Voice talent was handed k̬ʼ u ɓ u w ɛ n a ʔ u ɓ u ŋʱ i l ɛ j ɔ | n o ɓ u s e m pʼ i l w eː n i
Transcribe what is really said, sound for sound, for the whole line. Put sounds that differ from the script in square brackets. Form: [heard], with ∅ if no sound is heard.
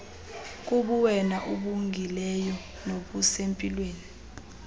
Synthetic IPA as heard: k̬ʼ u ɓ u w ɛ n a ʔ u ɓ u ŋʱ i l ɛ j ɔ | n o ɓ u s e m pʼ i l w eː n i